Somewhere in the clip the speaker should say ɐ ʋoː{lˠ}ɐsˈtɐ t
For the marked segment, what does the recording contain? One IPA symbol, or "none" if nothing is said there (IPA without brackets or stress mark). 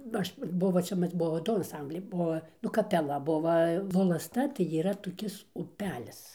lˠ